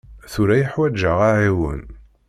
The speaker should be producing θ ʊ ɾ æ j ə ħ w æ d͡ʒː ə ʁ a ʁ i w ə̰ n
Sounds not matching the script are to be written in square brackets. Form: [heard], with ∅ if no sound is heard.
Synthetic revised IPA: θ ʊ ɾ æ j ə ħ w æ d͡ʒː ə ʁ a [ʕ] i w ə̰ n